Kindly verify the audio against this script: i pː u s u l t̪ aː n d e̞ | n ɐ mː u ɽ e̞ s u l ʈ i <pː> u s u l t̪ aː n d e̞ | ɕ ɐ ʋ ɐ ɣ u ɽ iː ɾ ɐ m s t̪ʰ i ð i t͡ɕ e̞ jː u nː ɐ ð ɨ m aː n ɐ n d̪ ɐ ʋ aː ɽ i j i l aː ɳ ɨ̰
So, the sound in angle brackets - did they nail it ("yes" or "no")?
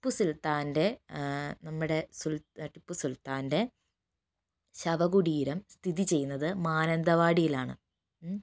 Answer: yes